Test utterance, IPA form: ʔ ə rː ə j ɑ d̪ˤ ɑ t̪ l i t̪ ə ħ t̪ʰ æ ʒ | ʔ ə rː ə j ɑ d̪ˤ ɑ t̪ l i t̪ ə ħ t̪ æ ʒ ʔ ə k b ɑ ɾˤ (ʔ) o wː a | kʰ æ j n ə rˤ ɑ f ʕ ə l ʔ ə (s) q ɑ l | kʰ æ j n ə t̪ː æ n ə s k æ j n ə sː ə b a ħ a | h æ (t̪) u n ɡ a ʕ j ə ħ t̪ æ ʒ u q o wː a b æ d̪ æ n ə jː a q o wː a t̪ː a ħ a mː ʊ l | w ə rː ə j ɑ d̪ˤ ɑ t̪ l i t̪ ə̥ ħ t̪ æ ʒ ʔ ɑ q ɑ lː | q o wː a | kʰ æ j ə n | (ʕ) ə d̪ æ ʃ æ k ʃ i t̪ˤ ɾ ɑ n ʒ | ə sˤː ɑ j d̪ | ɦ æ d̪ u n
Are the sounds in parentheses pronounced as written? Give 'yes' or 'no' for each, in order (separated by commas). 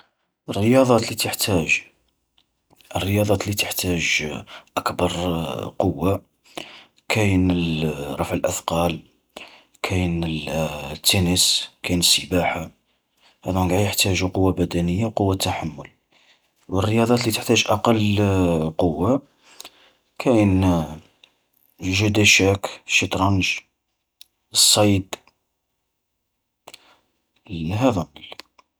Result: no, no, no, no